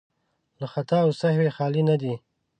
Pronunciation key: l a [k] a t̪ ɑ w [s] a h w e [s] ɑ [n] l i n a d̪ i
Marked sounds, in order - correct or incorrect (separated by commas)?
incorrect, correct, incorrect, incorrect